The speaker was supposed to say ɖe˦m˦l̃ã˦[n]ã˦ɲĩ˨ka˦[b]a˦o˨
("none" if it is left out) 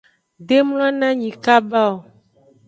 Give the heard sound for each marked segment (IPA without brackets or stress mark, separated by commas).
n, b